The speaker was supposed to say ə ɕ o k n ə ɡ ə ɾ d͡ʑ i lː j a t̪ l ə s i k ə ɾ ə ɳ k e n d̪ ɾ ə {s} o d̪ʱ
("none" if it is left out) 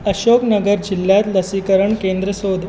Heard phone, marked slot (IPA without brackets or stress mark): s